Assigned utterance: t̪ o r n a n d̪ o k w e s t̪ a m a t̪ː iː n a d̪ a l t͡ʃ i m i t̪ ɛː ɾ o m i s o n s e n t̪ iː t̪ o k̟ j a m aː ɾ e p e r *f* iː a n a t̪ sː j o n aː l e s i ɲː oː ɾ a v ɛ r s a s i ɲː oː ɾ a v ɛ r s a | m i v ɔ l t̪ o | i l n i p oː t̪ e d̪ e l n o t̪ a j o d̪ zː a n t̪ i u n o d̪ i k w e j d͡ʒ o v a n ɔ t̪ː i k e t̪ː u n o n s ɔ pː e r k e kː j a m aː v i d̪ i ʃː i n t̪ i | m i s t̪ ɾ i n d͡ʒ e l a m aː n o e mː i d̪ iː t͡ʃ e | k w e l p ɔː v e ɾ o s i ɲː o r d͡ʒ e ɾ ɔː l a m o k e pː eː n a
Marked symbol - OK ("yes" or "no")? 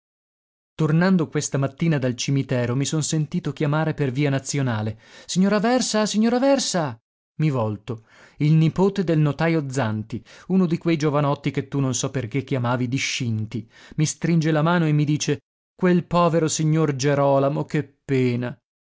no